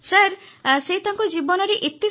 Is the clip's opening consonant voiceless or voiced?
voiceless